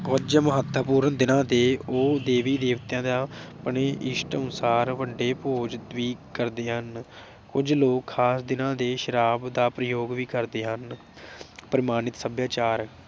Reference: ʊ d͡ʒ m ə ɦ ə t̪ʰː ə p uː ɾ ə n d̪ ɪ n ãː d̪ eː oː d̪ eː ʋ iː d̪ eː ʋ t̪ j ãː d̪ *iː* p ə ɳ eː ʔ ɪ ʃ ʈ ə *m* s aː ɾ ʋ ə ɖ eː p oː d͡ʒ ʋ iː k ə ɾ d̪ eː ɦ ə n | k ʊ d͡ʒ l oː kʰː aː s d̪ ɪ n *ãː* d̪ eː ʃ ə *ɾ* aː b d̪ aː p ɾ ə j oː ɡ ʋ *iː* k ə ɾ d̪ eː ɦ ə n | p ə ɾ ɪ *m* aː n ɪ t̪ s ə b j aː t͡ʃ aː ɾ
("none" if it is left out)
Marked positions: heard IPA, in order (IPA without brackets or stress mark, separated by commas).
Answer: aː, n, ãː, ɾ, iː, m